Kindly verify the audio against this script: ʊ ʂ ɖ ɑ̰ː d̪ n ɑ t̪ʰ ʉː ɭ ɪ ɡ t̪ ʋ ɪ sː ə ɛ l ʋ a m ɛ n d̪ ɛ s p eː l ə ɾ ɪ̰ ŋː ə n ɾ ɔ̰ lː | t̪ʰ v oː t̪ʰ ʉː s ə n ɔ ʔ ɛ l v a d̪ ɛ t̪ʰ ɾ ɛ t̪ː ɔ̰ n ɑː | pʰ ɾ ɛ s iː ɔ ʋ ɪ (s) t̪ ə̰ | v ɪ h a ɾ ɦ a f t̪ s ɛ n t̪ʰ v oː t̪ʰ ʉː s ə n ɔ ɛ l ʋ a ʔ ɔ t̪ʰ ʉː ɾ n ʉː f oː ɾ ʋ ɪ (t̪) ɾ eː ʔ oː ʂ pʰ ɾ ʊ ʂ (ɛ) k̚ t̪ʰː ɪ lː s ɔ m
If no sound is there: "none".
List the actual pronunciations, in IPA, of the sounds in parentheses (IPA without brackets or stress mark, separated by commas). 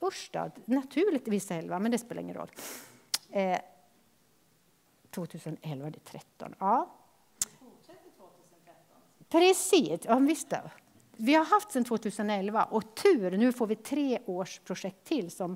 s, t̪ʰ, ɛ